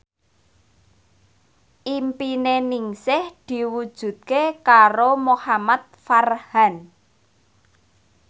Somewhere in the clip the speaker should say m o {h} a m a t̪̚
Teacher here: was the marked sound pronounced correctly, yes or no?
yes